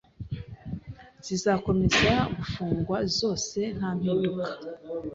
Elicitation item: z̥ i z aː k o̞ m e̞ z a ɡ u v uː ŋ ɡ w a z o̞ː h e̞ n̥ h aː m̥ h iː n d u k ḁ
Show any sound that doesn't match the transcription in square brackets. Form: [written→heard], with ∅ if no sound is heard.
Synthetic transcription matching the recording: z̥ i z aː k o̞ m e̞ z a ɡ u [v→f] uː ŋ ɡ w a z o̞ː [h→s] e̞ n̥ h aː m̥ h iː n d u k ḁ